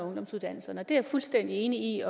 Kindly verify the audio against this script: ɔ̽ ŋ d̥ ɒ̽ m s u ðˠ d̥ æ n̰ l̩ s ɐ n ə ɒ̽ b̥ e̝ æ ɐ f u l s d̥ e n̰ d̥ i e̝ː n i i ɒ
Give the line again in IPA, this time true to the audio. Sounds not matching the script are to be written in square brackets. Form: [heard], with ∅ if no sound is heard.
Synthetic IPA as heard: ɔ̽ ŋ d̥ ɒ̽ m s u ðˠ d̥ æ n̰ l̩ s ɐ n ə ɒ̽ [d̥] e̝ æ ɐ f u l s d̥ e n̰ d̥ i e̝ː n i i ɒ

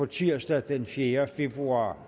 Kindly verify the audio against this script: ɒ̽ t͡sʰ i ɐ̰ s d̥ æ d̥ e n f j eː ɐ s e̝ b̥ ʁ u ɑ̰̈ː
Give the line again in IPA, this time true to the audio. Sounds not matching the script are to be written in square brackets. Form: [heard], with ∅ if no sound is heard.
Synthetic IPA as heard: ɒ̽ t͡sʰ i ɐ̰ s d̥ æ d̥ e n f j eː ɐ [f] e̝ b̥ ʁ u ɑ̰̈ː

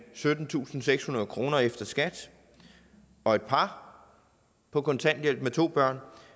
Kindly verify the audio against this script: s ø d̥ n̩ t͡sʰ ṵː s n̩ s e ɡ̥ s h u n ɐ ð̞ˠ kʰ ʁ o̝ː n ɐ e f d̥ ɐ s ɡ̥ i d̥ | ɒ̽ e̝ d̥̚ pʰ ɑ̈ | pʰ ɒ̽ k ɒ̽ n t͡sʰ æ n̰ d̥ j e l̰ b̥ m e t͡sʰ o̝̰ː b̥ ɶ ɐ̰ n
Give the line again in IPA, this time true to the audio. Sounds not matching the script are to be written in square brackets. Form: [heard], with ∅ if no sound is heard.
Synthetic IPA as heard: s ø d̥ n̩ t͡sʰ ṵː s n̩ s e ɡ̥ s h u n ɐ ð̞ˠ kʰ ʁ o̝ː n ɐ e f d̥ ɐ s ɡ̥ [æ] d̥ | ɒ̽ e̝ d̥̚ pʰ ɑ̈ | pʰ ɒ̽ k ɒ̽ n t͡sʰ æ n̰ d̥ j e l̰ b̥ m e t͡sʰ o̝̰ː b̥ ɶ ɐ̰ n

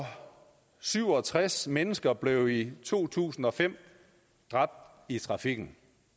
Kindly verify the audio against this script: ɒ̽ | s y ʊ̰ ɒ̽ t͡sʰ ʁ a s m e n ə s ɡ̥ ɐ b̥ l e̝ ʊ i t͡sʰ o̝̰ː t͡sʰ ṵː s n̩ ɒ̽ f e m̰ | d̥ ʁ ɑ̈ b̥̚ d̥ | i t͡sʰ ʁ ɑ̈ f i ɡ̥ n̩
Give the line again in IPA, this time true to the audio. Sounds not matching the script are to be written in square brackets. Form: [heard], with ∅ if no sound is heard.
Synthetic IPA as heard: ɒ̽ | s y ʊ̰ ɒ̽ t͡sʰ ʁ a s m e n ə s ɡ̥ ɐ b̥ l e̝ ʊ i t͡sʰ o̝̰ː t͡sʰ ṵː s n̩ ɒ̽ f e m̰ | d̥ ʁ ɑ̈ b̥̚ d̥ | i t͡sʰ ʁ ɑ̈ f i ɡ̥ n̩

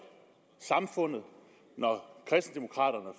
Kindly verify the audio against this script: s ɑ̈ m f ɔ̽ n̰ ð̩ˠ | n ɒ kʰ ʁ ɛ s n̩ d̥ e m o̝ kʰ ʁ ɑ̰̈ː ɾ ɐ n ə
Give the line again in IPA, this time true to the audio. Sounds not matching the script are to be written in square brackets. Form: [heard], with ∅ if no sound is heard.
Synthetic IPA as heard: s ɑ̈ m f ɔ̽ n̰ ð̩ˠ | n ɒ kʰ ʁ ɛ s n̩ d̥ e m o̝ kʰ ʁ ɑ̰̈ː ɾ ɐ n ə

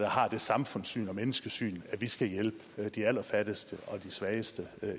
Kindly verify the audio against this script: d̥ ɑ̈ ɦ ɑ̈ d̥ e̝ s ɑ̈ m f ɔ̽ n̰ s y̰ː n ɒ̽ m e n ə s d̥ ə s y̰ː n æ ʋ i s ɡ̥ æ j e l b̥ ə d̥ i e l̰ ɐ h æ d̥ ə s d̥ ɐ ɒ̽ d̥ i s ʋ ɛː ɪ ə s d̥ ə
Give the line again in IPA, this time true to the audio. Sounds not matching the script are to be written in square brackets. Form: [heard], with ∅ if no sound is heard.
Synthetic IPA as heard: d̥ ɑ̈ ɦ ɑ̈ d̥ e̝ s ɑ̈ m f ɔ̽ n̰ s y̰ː n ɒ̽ m e n ə s [ɡ̥] ə s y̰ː n æ ʋ i s ɡ̥ æ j e l b̥ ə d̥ i [æ] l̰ ɐ [f] æ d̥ ə s d̥ [ə] ɒ̽ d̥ i s ʋ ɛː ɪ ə s d̥ ə

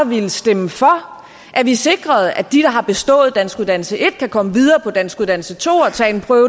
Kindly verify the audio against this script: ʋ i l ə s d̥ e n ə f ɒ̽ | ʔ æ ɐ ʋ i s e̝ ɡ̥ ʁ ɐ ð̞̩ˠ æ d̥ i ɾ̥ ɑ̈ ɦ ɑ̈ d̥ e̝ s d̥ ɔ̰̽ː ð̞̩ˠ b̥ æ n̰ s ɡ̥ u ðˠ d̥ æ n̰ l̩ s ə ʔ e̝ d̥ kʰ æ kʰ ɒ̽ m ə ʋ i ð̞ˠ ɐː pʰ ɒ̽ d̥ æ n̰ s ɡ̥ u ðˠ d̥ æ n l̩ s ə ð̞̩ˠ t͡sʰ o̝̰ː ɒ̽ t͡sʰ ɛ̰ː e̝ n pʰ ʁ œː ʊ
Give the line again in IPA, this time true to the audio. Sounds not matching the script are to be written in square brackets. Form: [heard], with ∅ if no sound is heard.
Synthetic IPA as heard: ʋ i l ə s d̥ e [m] ə f ɒ̽ | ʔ æ ɐ ʋ i s e̝ ɡ̥ ʁ ɐ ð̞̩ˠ æ d̥ i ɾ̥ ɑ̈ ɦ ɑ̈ [b̥] e̝ s d̥ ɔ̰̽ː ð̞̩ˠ [d̥] æ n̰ s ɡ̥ u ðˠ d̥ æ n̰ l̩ s ə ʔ e̝ d̥ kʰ æ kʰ ɒ̽ m ə ʋ i ð̞ˠ ɐː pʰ ɒ̽ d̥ æ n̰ s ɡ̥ u ðˠ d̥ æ n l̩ s ə [∅] t͡sʰ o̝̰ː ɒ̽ t͡sʰ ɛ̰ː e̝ n pʰ ʁ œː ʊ

